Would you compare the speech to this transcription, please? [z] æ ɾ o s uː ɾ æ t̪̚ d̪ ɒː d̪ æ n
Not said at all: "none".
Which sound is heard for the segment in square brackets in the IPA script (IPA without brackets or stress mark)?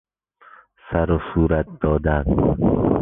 s